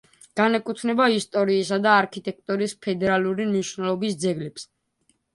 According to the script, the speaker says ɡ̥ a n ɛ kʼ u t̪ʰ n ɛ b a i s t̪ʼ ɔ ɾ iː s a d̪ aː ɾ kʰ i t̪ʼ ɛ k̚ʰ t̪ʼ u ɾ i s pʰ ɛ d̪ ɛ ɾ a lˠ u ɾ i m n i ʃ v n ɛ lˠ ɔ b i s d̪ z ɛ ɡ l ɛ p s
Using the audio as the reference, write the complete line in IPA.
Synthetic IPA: ɡ̥ a n ɛ kʼ u t̪ʰ n ɛ b a i s t̪ʼ ɔ ɾ iː s a d̪ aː ɾ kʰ i t̪ʼ ɛ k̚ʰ t̪ʼ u ɾ i s pʰ ɛ d̪ ɛ ɾ a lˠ u ɾ i m n i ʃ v n ɛ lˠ ɔ b i s d̪ z ɛ ɡ l ɛ p s